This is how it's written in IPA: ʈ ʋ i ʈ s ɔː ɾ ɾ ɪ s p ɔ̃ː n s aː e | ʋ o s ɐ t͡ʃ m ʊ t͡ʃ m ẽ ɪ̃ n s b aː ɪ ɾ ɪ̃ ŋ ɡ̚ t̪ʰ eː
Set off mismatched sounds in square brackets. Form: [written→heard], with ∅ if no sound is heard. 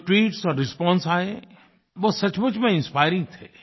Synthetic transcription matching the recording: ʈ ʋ [i→iː] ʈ s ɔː ɾ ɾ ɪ s p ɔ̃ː n s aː e | ʋ o s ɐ t͡ʃ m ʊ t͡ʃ m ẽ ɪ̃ n s [b→p] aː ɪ ɾ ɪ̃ ŋ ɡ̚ t̪ʰ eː